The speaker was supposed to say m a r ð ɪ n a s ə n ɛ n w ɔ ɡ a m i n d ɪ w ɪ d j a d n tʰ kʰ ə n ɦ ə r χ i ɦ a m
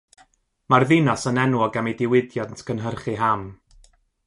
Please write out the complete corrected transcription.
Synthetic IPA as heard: m a r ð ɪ n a s ə n ɛ n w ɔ ɡ a m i d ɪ w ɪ d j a d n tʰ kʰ ə n ɦ ə r χ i ɦ a m

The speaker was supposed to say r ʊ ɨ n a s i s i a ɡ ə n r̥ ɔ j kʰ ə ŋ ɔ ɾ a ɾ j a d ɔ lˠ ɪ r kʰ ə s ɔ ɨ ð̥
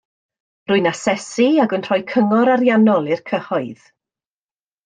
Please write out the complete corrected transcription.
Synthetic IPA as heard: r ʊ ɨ n a s ɛ s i a ɡ ə n r̥ ɔ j kʰ ə ŋ ɔ ɾ a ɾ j a n ɔ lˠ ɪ r kʰ ə h ɔ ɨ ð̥

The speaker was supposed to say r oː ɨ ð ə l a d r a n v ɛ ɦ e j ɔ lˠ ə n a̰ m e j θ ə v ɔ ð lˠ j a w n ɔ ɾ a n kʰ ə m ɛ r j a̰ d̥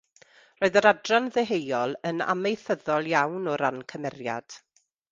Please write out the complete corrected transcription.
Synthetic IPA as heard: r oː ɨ ð ə ɾ a d r a n ð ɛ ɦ e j ɔ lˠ ə n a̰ m e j θ ə ð ɔ lˠ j a w n ɔ ɾ a n kʰ ə m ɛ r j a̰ d̥

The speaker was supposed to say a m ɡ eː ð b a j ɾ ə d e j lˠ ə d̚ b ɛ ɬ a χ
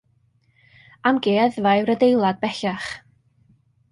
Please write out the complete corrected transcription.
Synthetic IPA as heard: a m ɡ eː ð v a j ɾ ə d e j lˠ a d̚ b ɛ ɬ a χ

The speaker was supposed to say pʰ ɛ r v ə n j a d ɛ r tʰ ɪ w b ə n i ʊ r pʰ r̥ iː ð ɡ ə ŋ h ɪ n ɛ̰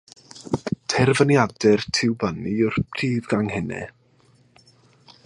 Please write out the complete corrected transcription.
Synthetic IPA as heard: tʰ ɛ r v ə n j a d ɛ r tʰ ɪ w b ə n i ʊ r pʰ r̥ iː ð ɡ a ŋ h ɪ n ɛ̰

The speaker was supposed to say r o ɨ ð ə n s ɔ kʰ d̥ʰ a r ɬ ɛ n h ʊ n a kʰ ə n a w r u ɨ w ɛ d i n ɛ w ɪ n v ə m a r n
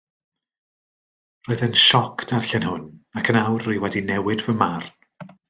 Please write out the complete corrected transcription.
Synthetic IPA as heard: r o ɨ ð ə n ʃ ɔ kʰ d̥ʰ a r ɬ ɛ n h ʊ n a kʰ ə n a w r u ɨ w ɛ d i n ɛ w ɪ d v ə m a r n

